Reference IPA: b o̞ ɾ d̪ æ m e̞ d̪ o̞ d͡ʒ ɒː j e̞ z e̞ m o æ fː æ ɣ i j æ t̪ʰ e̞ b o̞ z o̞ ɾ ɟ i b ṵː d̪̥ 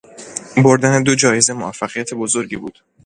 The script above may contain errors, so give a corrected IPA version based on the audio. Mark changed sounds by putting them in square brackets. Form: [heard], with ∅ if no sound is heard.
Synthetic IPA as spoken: b o̞ ɾ d̪ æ [n] e̞ d̪ o̞ d͡ʒ ɒː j e̞ z e̞ m o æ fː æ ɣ i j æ t̪ʰ e̞ b o̞ z o̞ ɾ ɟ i b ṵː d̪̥